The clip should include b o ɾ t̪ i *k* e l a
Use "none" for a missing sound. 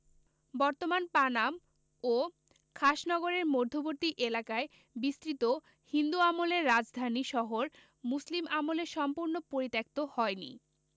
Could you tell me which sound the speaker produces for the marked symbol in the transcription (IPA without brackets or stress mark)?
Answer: ʔ